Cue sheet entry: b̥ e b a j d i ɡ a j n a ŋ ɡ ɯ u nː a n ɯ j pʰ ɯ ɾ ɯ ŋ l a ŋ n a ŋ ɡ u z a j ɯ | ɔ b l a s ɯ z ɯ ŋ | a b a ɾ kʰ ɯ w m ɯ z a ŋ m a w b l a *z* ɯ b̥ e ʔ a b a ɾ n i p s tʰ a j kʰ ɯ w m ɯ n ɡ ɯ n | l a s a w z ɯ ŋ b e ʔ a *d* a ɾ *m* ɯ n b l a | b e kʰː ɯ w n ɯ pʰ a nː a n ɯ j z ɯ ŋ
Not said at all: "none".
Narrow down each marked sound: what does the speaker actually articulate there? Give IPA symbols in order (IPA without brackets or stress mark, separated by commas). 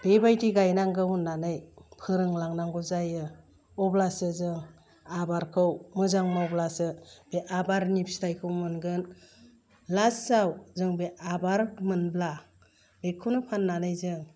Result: s, b, m